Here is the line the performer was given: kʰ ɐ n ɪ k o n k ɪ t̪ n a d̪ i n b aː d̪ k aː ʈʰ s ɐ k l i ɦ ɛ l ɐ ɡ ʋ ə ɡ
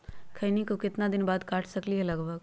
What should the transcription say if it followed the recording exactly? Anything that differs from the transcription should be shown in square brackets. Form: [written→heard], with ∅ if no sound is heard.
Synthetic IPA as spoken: kʰ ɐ n [ɪ→i] k o [n→∅] k ɪ t̪ n a d̪ [i→ɪ] n b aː d̪ k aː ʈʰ s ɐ k l i ɦ ɛ l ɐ ɡ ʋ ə ɡ